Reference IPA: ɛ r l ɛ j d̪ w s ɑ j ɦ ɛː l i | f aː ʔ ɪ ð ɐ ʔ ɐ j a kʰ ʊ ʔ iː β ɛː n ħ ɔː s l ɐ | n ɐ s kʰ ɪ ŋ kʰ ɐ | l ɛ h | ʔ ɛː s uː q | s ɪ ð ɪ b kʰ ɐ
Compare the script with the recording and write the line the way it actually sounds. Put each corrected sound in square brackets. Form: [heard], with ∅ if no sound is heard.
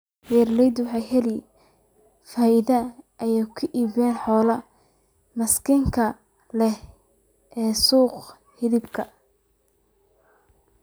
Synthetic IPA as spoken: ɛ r l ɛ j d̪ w [ħ] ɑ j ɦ [ɛ] l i | f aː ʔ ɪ ð ɐ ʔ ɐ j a kʰ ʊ ʔ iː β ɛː n ħ ɔː [∅] l ɐ | [m] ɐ s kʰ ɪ ŋ kʰ ɐ | l ɛ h | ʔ ɛː s uː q | [h] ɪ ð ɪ b kʰ ɐ